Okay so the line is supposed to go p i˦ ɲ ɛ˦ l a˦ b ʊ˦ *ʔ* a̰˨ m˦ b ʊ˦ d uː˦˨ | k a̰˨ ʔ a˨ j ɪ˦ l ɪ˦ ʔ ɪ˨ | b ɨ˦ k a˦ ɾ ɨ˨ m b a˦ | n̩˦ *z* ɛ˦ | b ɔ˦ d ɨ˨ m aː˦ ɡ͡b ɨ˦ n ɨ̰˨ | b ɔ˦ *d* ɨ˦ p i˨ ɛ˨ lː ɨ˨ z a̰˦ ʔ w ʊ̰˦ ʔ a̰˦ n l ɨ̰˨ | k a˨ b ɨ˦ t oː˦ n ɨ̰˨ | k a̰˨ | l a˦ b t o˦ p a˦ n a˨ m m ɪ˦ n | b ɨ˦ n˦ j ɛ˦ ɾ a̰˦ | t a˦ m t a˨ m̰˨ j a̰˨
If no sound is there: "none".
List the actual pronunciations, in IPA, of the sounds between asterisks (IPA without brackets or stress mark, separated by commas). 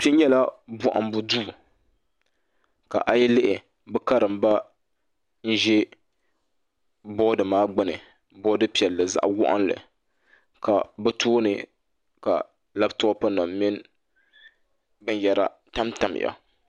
ʔ, ʒ, d